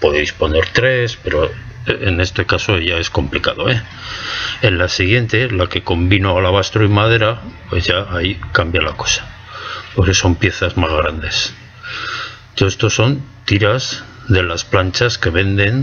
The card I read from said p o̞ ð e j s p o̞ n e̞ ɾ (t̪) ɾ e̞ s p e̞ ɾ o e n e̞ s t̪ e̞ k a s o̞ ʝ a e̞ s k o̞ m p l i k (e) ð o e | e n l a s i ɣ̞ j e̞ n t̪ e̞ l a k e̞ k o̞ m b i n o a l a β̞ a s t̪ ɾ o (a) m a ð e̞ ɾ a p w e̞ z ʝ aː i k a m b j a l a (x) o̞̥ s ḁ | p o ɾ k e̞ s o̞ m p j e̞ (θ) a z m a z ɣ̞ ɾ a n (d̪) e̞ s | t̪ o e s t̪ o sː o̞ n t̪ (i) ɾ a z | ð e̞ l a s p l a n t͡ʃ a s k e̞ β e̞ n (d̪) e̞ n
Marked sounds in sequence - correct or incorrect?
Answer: correct, incorrect, incorrect, incorrect, correct, correct, correct, correct

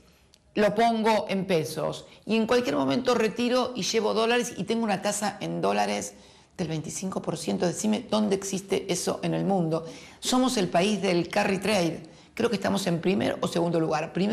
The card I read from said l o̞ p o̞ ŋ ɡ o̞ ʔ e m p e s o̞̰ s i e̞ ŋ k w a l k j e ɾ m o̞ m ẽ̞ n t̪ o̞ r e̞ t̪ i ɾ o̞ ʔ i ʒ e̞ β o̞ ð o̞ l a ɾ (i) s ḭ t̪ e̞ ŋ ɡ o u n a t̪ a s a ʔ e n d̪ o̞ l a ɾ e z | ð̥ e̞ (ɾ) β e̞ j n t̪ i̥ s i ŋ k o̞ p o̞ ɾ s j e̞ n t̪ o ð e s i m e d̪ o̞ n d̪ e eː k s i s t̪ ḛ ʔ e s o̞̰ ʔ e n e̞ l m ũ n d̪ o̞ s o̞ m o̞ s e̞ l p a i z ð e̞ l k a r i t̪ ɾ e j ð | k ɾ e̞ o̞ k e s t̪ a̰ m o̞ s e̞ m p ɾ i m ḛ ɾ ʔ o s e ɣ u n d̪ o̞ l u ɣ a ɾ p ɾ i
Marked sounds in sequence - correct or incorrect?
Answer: incorrect, incorrect

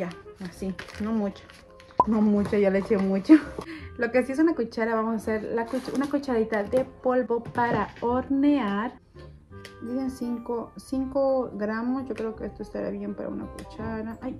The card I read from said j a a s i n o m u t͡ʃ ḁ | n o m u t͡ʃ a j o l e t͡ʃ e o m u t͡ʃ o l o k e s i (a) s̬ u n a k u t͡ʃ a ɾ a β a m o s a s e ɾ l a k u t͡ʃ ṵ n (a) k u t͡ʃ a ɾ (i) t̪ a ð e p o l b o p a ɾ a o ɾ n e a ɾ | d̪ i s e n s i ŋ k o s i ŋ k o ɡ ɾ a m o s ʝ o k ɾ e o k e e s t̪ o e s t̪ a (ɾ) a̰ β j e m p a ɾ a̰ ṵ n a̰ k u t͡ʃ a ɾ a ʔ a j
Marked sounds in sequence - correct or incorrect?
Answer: incorrect, correct, correct, correct

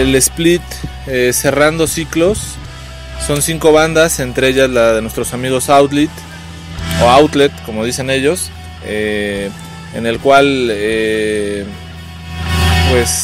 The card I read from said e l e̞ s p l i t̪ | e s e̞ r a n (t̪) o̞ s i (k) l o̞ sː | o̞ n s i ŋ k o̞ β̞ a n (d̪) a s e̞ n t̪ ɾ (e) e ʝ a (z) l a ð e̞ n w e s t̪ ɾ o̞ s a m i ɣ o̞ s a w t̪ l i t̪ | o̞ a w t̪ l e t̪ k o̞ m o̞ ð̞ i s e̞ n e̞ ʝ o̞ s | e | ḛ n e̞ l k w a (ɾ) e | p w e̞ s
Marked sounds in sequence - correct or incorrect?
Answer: incorrect, correct, correct, correct, correct, incorrect

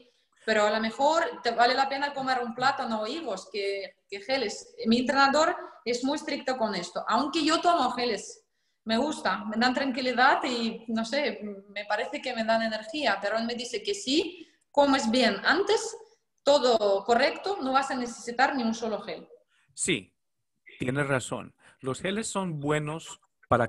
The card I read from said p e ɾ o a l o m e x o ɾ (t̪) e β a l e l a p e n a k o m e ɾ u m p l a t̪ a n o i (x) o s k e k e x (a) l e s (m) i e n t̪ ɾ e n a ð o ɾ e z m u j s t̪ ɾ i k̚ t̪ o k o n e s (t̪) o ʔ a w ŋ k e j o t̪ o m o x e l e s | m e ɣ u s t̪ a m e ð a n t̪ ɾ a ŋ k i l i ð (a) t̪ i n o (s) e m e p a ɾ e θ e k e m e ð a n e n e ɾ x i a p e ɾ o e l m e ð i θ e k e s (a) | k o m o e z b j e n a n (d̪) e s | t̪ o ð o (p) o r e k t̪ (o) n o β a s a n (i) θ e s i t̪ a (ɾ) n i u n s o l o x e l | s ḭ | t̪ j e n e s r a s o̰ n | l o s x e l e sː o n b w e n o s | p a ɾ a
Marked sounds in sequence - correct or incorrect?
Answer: correct, incorrect, incorrect, correct, correct, correct, correct, incorrect, incorrect, incorrect, correct, incorrect, correct

